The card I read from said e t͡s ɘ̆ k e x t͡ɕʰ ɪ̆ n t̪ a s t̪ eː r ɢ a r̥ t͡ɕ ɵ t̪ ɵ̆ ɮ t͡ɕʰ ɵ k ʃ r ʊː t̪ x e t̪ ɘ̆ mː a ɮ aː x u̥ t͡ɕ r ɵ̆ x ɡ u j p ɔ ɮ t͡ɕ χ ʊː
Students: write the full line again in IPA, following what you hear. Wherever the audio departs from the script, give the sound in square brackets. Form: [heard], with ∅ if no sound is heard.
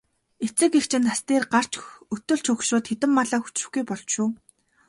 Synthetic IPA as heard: e t͡s ɘ̆ k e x t͡ɕʰ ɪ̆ n t̪ a s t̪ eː r ɢ a r̥ t͡ɕ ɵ t̪ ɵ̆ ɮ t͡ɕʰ ɵ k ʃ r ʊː t̪ x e t̪ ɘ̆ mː a ɮ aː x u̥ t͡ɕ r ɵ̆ x ɡ u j p ɔ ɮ t͡ɕ [ʃ] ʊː